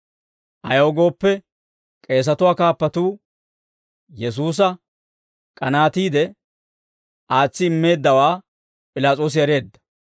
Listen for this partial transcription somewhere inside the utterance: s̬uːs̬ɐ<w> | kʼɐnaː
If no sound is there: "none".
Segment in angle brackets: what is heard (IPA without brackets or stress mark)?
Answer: none